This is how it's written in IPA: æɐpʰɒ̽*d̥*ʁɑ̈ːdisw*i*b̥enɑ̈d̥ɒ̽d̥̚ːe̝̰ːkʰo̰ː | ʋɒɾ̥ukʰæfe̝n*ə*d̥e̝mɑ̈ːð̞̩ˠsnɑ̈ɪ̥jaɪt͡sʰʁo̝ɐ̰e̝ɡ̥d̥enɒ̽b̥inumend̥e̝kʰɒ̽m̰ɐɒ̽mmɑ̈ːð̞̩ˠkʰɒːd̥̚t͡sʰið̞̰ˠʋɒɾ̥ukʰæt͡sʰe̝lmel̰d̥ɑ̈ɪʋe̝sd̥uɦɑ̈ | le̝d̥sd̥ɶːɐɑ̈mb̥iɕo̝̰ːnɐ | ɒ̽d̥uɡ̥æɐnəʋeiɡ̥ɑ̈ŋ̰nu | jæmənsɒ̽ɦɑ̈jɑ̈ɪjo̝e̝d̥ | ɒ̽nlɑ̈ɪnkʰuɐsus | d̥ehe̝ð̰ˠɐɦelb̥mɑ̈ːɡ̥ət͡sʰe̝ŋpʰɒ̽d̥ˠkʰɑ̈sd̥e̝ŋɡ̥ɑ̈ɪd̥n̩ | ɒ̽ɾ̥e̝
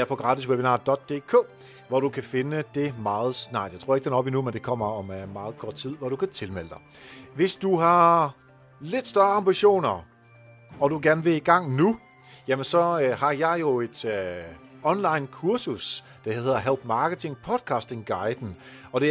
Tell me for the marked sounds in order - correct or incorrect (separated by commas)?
incorrect, incorrect, correct